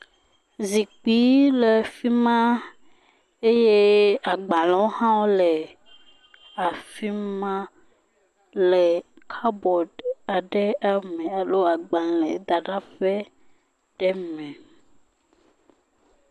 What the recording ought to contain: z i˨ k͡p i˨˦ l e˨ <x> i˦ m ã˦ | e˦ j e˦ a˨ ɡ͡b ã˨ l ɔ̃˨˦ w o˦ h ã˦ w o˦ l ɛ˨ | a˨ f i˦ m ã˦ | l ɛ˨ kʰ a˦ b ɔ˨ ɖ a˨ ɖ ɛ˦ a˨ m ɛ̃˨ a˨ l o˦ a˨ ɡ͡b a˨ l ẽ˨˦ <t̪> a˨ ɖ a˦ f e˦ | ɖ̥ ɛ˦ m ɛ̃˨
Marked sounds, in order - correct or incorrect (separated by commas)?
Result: incorrect, incorrect